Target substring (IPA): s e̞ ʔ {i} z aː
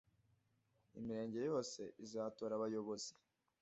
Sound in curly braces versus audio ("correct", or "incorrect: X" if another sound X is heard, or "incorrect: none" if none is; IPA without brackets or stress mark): correct